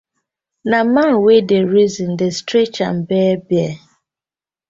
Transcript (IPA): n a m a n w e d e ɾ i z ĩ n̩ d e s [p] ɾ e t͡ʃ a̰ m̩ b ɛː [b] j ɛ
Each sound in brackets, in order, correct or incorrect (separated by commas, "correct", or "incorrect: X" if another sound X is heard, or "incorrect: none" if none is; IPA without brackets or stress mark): incorrect: t, correct